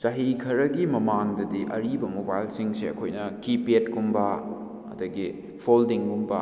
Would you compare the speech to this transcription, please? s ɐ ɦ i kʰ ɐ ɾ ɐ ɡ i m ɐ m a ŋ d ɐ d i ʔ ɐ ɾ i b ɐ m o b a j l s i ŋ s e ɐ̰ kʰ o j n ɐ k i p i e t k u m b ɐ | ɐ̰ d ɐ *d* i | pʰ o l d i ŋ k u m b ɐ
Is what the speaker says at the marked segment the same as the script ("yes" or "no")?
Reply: no